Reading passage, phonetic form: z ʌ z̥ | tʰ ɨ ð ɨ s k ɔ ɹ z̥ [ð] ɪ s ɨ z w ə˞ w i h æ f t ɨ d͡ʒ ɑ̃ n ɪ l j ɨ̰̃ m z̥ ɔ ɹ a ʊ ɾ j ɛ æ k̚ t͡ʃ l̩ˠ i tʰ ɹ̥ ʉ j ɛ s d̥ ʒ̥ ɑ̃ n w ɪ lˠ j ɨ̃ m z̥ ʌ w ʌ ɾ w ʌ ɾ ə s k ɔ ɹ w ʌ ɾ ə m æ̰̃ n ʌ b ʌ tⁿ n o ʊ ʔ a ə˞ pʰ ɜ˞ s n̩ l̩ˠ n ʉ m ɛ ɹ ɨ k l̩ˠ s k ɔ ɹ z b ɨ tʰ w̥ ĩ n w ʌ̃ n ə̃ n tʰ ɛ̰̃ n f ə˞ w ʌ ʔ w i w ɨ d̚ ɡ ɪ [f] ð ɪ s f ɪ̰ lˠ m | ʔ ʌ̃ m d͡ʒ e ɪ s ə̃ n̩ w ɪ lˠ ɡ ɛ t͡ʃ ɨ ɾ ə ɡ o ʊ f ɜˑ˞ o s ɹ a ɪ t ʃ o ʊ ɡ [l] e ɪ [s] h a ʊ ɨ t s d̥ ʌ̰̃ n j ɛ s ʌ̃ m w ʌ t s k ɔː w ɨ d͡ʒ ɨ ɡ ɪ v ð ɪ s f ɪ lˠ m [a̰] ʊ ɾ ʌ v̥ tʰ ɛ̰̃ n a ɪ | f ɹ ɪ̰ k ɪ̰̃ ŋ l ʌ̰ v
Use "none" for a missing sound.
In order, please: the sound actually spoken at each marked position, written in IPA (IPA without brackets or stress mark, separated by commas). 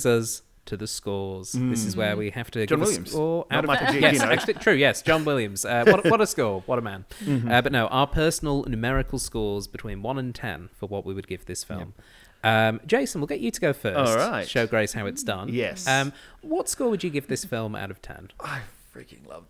ð, v, ɹ, s, a̰